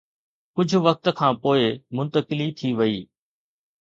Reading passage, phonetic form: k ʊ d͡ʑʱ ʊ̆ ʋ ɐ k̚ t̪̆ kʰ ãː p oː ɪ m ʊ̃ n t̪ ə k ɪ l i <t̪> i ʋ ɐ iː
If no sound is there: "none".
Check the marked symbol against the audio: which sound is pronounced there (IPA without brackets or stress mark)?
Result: t̪ʰ